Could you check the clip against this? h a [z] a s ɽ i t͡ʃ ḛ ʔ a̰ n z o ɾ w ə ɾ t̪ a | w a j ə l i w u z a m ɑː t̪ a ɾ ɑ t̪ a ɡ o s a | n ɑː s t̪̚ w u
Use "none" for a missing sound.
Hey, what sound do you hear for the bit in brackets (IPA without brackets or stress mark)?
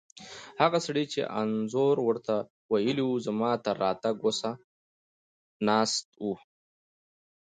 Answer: ɣ